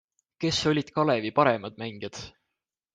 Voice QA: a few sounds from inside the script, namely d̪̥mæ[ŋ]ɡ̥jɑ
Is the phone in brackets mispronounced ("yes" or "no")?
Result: no